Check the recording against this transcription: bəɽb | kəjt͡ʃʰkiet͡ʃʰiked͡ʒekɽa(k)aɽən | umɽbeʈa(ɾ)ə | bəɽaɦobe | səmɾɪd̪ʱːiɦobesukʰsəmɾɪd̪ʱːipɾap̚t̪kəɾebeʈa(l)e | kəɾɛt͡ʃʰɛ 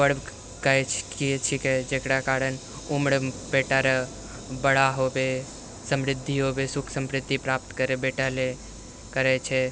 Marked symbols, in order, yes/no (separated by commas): yes, yes, yes